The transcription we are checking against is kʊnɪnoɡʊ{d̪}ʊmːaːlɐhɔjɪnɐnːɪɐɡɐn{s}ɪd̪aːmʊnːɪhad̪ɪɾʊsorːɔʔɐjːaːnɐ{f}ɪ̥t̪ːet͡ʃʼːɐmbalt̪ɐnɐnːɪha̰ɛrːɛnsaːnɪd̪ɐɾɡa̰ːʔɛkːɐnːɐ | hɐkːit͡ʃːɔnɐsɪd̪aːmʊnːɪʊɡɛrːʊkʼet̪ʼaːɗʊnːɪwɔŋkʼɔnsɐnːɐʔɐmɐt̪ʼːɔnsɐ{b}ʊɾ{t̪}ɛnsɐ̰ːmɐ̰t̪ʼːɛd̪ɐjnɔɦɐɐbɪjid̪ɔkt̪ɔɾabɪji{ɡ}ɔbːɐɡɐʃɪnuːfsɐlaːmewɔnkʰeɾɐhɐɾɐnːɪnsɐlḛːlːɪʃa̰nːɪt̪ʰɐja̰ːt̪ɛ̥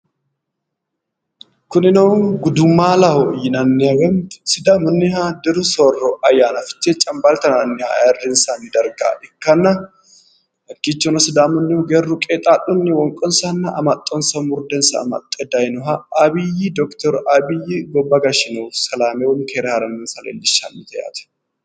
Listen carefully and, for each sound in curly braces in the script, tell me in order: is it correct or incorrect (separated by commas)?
correct, correct, correct, incorrect, incorrect, correct